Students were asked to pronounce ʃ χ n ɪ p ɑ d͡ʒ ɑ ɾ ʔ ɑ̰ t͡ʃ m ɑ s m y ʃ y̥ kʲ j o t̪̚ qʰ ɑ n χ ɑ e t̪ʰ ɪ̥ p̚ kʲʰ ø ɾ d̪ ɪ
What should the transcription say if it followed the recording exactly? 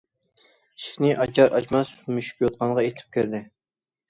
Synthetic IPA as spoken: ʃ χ n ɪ ʔ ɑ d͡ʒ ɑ ɾ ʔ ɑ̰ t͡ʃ m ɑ s m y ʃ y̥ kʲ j o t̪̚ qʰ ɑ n ʁ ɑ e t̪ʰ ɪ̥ p̚ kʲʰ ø ɾ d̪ ɪ